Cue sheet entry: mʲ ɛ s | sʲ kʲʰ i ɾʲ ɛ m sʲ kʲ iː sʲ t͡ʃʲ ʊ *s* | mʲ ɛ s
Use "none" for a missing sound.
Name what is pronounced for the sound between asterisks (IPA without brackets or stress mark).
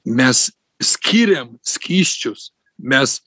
s